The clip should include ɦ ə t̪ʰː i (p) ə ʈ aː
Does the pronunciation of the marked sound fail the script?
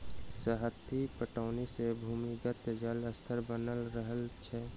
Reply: no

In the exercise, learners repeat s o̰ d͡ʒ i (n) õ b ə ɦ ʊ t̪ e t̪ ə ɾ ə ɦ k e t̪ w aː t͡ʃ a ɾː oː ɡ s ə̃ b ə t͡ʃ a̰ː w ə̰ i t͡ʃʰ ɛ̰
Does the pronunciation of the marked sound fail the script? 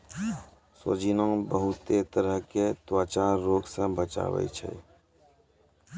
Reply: no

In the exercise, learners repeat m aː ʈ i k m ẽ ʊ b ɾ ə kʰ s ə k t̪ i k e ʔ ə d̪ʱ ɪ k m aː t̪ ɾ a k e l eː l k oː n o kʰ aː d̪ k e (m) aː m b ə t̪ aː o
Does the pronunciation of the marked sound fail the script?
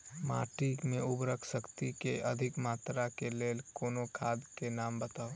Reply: yes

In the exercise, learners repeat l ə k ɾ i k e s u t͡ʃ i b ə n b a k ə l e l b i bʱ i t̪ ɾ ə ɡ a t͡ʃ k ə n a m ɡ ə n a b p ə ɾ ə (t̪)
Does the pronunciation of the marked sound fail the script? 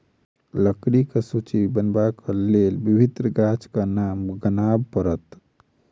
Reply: no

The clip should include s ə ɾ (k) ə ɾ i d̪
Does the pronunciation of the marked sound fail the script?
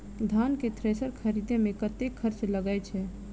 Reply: yes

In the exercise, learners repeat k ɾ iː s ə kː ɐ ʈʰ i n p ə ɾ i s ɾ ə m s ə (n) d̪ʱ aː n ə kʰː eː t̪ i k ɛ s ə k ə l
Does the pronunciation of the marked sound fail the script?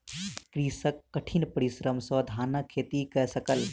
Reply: yes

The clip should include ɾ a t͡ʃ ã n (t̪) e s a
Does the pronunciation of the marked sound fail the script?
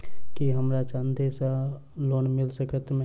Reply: yes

